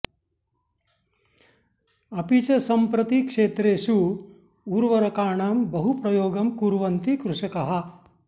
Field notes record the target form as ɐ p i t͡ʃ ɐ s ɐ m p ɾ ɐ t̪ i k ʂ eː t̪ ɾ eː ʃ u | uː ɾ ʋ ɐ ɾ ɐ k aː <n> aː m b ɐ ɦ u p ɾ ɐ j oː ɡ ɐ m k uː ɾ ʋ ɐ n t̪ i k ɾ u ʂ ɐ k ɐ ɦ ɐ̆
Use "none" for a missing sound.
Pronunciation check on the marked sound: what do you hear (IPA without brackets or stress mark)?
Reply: ɳ